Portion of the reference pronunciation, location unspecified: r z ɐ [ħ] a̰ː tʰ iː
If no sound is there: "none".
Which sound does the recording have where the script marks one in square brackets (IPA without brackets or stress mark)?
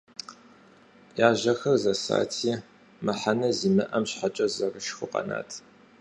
s